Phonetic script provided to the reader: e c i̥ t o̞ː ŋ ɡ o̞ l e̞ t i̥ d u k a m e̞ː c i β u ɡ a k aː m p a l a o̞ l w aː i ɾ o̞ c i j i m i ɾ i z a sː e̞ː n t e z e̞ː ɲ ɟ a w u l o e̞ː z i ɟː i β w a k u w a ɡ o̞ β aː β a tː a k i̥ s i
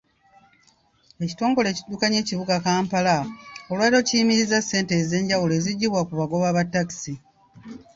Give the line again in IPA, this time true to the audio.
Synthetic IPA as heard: e c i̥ t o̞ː ŋ ɡ o̞ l e̞ c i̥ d u k a ɲ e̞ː c i β u ɡ a k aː m p a l a o̞ l w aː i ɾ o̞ c i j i m i ɾ i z a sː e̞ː n t e z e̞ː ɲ ɟ a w u l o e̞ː z i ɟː i β w a k u β a ɡ o̞ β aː β a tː a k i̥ s i